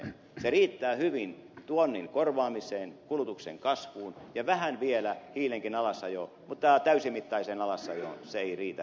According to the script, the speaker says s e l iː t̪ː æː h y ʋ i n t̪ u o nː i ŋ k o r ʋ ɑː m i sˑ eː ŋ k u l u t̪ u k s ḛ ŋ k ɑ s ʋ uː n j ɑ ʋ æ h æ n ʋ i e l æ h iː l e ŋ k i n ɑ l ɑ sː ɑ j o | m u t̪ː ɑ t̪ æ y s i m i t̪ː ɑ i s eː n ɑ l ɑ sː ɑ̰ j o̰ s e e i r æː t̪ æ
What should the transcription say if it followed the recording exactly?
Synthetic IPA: s e r iː t̪ː æː h y ʋ i n t̪ u o nː i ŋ k o r ʋ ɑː m i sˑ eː n k u l u t̪ u k s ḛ ŋ k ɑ s ʋ uː n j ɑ ʋ æ h æ n ʋ i e l æ h iː l e ŋ k i n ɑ l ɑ sː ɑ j o | m u t̪ː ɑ t̪ æ y s i m i t̪ː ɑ i s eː n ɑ l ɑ sː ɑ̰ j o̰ s e e i r iː t̪ æ